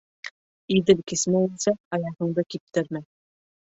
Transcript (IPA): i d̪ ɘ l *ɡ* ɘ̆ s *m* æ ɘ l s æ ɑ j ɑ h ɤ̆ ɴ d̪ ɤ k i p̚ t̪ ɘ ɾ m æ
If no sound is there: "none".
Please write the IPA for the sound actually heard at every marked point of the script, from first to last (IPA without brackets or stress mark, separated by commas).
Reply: k, m